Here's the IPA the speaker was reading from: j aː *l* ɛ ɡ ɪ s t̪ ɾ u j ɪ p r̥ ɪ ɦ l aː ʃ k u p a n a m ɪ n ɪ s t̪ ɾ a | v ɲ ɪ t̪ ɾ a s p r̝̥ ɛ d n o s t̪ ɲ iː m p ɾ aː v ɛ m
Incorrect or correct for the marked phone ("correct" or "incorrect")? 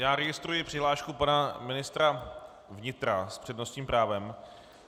incorrect